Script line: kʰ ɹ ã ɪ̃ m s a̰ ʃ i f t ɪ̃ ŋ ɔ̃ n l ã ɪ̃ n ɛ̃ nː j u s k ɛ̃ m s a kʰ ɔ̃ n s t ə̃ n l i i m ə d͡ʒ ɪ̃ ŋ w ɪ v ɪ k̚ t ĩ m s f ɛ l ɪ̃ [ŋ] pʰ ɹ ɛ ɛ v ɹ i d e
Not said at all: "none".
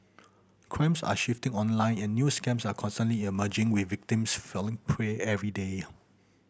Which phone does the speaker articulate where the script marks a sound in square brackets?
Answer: ŋ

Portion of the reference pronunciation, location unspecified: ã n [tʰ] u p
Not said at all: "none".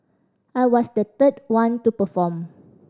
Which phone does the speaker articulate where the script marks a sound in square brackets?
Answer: t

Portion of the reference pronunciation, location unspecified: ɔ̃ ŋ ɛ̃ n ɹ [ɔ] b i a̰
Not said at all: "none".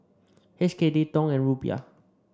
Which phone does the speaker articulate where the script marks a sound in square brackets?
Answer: u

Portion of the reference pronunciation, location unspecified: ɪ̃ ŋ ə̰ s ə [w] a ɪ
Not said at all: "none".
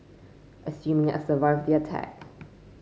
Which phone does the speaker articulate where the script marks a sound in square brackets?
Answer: v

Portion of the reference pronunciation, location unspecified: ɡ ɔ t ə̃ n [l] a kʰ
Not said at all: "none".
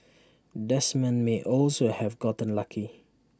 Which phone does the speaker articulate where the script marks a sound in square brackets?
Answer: l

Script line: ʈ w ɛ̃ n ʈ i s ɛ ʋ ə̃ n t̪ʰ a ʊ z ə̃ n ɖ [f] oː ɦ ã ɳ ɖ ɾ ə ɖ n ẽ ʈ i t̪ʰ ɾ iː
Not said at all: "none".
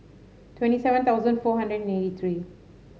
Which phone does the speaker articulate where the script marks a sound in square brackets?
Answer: f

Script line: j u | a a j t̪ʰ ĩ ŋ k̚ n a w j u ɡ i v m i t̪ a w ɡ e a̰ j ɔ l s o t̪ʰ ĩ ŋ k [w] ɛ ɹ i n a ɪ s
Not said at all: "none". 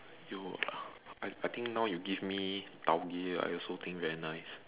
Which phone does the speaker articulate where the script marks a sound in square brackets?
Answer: v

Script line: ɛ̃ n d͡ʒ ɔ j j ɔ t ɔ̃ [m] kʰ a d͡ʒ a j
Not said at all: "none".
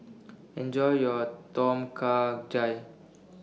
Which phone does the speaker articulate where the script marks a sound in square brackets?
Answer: m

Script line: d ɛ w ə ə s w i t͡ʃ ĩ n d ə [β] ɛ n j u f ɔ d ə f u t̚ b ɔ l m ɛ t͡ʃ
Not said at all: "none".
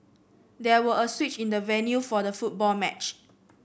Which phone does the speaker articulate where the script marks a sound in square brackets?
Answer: v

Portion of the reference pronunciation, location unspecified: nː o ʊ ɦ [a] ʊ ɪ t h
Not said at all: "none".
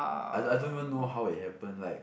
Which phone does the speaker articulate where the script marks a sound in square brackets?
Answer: a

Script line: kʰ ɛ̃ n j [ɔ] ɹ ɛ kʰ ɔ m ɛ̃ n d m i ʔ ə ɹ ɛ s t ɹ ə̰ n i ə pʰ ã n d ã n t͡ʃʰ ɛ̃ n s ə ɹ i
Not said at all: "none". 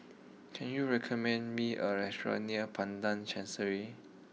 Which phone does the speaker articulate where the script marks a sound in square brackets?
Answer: u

